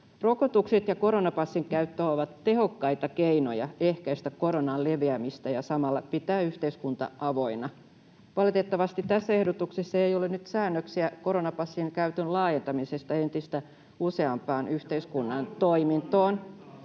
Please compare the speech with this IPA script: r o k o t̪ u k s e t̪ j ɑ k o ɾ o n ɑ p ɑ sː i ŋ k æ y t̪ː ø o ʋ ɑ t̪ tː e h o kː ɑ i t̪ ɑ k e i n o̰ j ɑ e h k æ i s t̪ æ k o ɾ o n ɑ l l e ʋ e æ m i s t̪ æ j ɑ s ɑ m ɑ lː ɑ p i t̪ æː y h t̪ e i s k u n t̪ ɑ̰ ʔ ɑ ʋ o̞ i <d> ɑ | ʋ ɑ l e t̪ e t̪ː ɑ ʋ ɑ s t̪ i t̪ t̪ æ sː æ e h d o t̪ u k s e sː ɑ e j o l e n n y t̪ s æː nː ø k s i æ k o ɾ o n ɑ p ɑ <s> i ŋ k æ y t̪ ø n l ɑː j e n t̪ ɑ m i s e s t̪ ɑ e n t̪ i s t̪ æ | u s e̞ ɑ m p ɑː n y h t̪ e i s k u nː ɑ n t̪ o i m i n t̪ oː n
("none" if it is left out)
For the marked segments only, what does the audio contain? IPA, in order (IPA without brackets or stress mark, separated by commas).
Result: n, sː